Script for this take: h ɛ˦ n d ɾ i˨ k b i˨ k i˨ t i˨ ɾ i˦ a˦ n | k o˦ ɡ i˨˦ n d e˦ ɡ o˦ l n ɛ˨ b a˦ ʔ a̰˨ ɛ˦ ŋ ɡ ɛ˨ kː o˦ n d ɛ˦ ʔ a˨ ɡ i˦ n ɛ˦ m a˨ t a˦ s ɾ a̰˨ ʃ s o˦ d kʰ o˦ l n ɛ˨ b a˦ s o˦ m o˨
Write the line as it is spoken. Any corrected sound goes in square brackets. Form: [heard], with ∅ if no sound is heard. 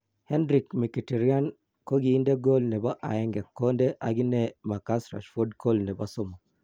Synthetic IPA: h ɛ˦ n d ɾ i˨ k [m] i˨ k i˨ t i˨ ɾ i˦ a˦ n | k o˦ ɡ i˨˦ n d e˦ ɡ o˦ l n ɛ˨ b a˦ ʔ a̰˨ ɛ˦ ŋ ɡ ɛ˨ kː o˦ n d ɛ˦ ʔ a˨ ɡ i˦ n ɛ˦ m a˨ [k] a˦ s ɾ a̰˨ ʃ [f] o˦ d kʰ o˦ l n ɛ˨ b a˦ s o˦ m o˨

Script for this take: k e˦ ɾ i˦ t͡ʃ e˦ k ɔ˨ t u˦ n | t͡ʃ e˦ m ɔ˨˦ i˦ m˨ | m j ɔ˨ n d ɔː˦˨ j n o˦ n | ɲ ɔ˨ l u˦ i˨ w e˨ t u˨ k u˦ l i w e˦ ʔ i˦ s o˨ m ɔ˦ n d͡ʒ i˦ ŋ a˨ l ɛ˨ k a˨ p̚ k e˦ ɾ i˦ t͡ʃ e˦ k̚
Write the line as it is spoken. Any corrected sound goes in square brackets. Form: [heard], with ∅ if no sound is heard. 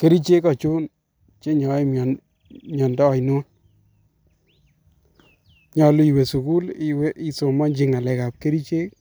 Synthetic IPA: k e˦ ɾ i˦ t͡ʃ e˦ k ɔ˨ [t͡ʃ] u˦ n | t͡ʃ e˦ [ɲ] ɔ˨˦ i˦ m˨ | m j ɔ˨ n d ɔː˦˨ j n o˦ n | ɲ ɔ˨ l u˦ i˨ w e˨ [s] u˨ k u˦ l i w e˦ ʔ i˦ s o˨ m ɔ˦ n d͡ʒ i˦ ŋ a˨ l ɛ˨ k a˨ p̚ k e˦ ɾ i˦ t͡ʃ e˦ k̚

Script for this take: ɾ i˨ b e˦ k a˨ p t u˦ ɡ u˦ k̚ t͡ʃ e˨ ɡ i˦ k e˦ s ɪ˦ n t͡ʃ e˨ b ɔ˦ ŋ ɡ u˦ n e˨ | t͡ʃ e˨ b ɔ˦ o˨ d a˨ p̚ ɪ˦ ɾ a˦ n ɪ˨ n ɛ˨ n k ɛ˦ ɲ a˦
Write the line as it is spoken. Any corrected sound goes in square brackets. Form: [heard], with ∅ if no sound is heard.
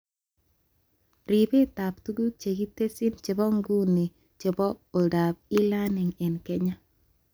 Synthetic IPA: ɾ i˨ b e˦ [t] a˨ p t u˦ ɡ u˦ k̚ t͡ʃ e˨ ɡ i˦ [t] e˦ s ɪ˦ n t͡ʃ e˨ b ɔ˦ ŋ ɡ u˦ n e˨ | t͡ʃ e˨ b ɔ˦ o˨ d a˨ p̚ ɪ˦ [l] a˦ n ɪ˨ [ŋ] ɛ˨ n k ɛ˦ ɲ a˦

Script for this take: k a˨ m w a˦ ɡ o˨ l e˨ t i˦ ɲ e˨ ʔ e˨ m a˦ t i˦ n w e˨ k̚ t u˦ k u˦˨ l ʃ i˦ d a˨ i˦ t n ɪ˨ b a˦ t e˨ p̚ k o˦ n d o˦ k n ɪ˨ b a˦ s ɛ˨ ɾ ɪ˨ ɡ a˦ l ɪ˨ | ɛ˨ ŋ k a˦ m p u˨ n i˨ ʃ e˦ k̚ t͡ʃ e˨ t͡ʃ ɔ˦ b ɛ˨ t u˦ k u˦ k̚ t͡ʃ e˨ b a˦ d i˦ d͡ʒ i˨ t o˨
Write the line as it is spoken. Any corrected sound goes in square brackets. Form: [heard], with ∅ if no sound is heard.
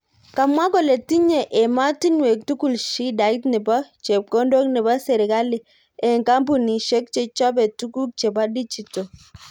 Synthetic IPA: k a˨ m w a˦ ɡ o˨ l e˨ t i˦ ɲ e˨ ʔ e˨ m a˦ t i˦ n w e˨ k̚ t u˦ k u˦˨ l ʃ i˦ d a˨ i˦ t n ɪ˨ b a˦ [t͡ʃ] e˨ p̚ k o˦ n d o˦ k n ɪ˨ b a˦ s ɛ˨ ɾ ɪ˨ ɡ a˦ l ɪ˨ | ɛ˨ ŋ k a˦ m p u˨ n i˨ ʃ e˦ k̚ t͡ʃ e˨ t͡ʃ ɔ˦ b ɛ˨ t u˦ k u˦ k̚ t͡ʃ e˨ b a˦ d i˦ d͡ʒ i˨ t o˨

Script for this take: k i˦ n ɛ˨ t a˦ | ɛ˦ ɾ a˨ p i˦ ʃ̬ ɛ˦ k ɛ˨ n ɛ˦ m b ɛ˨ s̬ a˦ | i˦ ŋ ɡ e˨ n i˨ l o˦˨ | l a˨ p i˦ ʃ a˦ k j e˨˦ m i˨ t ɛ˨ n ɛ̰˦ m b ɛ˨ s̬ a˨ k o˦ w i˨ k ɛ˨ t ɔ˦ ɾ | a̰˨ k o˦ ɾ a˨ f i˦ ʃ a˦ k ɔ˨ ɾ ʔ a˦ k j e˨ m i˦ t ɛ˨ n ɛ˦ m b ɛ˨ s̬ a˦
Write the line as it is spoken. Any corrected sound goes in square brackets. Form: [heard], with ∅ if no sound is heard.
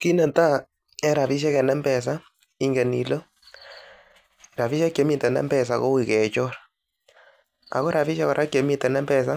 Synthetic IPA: k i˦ n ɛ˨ t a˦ | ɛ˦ ɾ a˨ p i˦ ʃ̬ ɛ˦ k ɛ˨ n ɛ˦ m b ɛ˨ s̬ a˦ | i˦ ŋ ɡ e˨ n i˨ l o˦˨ | [ɾ] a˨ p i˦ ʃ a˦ k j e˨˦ m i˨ t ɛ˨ n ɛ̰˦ m b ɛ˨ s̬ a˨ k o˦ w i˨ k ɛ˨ [t͡ʃ] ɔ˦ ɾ | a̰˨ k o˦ ɾ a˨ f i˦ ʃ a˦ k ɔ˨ ɾ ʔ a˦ k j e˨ m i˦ t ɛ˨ n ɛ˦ m b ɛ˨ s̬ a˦

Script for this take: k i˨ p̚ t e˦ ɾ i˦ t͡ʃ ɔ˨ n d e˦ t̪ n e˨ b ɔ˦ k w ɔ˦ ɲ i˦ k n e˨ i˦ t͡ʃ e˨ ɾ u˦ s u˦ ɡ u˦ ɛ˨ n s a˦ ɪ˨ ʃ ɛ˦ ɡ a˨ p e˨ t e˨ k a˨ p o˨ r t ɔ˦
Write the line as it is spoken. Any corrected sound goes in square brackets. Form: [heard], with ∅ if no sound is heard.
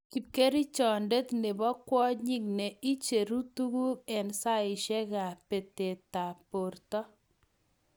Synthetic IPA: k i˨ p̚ [k] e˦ ɾ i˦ t͡ʃ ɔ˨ n d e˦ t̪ n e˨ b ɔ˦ k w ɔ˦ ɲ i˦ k n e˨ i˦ t͡ʃ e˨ ɾ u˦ [t] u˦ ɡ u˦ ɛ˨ n s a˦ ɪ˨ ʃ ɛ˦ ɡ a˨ p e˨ t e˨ [t] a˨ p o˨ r t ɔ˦

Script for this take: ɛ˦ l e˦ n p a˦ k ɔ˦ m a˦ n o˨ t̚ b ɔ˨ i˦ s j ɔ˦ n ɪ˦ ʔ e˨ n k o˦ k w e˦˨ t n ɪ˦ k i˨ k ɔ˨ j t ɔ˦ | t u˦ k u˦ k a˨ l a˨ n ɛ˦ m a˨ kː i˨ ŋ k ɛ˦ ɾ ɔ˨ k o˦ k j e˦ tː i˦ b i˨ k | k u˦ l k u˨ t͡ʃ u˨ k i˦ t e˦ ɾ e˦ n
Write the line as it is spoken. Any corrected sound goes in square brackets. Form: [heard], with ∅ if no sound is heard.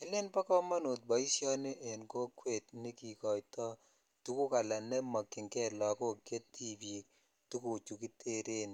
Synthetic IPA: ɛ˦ l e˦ n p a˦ k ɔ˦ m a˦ n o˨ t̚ b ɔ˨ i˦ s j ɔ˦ n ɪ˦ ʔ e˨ n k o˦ k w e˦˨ t n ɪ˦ k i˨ k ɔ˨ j t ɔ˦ | t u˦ k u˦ k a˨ l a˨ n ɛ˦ m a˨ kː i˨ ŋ k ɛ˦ [l] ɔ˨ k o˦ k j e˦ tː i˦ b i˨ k | [t] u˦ [∅] k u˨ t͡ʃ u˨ k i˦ t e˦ ɾ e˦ n

